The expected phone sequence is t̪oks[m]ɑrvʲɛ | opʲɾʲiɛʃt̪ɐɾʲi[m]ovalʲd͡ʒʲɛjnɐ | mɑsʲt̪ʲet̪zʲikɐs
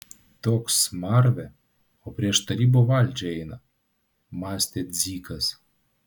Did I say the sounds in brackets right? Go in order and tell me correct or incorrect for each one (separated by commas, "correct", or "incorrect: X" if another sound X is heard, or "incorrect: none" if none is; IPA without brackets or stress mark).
correct, incorrect: b